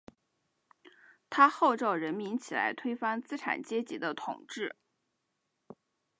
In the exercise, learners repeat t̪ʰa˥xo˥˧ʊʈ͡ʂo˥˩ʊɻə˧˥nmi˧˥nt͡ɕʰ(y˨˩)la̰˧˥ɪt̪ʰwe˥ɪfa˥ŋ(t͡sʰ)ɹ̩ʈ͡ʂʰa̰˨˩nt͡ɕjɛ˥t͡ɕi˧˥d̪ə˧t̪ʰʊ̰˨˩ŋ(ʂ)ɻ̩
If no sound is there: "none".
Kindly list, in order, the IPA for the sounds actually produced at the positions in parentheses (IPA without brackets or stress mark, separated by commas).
i˨˩, t͡s, ʈ͡ʂ